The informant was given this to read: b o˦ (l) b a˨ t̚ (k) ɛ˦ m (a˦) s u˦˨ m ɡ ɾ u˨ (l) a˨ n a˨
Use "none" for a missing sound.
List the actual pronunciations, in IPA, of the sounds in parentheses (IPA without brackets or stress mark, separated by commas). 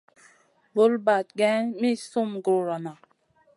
l, ɡ, i˦, ɾ